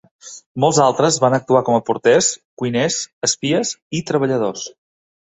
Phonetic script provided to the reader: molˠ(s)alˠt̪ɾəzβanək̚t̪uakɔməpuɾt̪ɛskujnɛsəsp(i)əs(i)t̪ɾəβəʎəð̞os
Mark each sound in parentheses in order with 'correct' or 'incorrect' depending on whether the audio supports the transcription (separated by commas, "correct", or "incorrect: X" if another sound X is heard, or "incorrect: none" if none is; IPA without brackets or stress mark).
incorrect: z, correct, correct